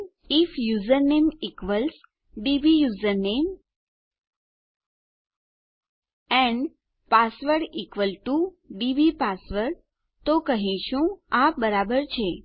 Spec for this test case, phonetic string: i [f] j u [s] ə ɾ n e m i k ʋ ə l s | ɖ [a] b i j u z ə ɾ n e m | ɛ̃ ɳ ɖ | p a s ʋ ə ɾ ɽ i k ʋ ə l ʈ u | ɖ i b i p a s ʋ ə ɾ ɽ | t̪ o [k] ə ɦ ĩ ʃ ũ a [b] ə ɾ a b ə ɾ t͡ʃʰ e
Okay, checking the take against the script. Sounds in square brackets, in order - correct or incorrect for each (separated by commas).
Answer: correct, incorrect, incorrect, correct, correct